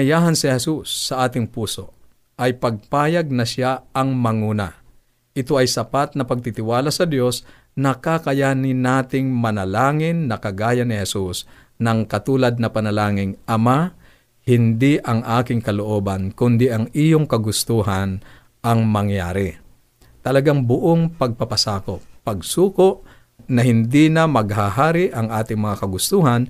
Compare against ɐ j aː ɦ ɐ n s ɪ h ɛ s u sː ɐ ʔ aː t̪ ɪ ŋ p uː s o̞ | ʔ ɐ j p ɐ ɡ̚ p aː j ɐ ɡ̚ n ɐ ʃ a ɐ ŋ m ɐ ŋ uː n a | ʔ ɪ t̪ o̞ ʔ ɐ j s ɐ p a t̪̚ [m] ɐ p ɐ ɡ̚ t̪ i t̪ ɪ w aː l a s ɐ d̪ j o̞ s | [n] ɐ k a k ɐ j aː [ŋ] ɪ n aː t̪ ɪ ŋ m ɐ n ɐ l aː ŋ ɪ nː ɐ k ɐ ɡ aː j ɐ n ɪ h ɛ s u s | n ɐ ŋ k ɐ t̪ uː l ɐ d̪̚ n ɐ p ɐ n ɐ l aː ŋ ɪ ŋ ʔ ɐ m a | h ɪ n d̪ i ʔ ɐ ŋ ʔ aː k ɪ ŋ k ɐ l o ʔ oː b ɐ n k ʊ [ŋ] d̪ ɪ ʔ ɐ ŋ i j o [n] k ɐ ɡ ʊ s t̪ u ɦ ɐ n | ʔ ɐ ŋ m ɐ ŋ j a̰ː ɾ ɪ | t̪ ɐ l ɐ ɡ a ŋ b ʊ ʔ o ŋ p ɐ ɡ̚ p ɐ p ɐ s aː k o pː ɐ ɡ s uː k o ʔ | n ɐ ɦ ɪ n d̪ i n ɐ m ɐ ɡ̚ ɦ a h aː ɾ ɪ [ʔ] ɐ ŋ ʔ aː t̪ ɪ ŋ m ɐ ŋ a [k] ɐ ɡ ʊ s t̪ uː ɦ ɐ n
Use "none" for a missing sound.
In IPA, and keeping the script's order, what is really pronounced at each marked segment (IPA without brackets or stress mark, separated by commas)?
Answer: n, n, n, n, ŋ, ʔ, k